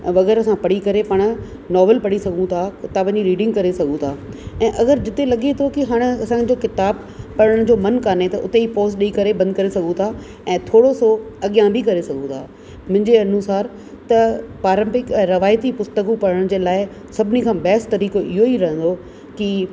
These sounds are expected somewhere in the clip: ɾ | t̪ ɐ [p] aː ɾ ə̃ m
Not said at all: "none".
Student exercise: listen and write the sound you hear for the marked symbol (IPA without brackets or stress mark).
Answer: p